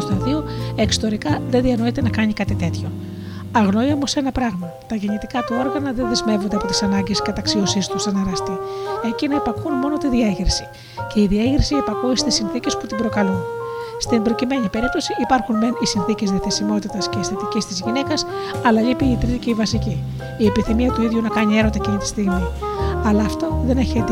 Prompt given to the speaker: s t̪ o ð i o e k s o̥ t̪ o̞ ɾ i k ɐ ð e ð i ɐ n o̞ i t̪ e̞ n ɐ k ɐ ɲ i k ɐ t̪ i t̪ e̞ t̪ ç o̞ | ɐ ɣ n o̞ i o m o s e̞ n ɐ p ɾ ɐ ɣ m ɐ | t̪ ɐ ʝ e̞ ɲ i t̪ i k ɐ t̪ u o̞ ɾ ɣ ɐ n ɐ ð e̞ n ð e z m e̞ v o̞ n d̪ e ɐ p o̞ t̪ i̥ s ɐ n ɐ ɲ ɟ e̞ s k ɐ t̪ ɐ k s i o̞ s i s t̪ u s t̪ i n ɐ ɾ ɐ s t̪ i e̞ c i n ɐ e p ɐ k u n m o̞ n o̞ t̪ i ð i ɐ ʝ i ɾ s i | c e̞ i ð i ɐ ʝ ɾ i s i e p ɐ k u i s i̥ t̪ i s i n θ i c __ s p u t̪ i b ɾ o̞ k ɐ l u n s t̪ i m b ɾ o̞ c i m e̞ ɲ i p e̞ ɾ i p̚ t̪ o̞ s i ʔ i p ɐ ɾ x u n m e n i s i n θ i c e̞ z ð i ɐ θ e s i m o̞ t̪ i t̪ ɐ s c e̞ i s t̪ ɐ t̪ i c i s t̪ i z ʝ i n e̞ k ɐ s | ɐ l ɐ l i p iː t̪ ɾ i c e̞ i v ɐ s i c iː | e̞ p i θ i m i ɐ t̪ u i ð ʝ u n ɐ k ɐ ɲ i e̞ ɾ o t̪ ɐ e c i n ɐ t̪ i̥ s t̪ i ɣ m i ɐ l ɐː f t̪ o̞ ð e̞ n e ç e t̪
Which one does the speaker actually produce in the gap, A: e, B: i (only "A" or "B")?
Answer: A